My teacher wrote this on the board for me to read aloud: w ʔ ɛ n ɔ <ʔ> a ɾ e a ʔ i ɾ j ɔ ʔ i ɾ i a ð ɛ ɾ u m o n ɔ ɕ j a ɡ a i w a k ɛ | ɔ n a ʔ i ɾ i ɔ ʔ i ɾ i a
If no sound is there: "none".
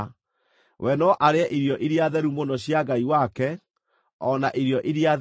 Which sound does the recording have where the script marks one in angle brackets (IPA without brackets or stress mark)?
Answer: ʔ